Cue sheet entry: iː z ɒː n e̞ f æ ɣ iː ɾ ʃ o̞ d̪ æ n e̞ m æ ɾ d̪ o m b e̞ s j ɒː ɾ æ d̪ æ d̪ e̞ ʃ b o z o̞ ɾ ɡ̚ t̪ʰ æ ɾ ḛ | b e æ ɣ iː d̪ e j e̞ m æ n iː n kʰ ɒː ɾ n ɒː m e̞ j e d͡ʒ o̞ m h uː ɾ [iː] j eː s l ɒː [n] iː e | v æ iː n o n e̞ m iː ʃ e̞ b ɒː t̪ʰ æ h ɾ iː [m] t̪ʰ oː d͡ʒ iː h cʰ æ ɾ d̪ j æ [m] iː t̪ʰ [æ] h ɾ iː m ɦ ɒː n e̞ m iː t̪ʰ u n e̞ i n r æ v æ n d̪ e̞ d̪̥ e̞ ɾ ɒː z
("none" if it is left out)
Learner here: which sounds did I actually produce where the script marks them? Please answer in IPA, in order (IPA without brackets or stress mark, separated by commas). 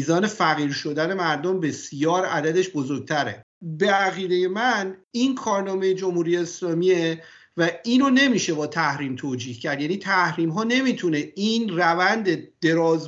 i, m, m, n, æ